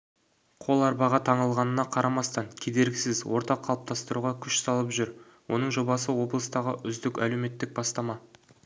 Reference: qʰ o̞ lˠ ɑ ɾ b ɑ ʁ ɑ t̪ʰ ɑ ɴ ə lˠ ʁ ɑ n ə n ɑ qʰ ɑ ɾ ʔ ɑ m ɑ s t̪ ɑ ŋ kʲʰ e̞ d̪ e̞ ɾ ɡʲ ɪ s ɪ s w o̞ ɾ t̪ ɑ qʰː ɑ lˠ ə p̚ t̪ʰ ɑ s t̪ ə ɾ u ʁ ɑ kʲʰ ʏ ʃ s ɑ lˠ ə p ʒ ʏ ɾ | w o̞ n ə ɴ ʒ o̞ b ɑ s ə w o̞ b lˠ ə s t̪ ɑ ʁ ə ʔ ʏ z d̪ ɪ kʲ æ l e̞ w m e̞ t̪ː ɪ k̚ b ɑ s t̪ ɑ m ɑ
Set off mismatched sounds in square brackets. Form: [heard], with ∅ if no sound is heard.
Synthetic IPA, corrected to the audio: qʰ o̞ lˠ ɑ ɾ b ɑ ʁ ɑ t̪ʰ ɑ ɴ ə lˠ ʁ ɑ n ə n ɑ qʰ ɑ ɾ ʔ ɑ m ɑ s t̪ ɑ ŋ kʲʰ e̞ d̪ e̞ ɾ ɡʲ ɪ s ɪ [z] w o̞ ɾ t̪ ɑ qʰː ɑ lˠ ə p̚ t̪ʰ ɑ s t̪ ə ɾ u ʁ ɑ kʲʰ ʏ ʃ s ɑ lˠ ə p ʒ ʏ ɾ | w o̞ n ə ɴ ʒ o̞ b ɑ s ə w o̞ b lˠ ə s t̪ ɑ ʁ ə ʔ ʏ z d̪ ɪ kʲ æ l e̞ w m e̞ t̪ː ɪ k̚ b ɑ s t̪ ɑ m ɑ